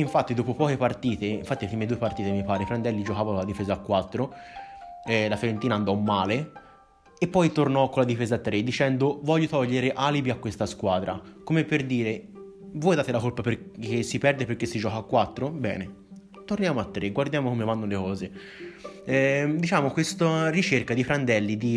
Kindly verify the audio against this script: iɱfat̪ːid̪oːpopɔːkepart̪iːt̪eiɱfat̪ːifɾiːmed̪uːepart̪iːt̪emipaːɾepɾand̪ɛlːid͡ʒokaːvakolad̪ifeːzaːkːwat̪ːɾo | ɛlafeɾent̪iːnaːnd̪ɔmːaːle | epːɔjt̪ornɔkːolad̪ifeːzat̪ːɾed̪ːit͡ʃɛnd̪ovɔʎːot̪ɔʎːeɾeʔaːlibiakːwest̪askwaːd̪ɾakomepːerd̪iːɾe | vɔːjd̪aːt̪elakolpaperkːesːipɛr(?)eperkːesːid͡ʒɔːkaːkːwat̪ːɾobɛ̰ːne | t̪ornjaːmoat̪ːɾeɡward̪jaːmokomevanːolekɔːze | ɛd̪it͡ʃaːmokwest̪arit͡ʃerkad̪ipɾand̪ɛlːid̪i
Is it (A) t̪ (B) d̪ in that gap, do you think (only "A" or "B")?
B